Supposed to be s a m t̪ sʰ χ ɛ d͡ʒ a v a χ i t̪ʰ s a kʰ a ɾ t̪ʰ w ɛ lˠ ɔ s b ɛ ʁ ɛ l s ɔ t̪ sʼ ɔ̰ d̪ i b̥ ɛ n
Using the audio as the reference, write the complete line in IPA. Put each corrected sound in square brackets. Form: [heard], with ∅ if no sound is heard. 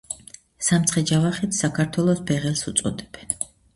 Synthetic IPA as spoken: s a m t̪ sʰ χ ɛ d͡ʒ a v a χ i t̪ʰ s a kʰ a ɾ t̪ʰ w ɛ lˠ ɔ s b ɛ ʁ ɛ l s [u] t̪ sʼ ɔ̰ d̪ [ɛ] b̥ ɛ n